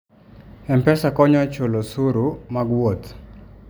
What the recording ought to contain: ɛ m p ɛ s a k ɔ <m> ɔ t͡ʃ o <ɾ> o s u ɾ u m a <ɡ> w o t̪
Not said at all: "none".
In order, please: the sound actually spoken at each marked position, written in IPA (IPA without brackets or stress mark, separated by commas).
ɲ, l, ɡ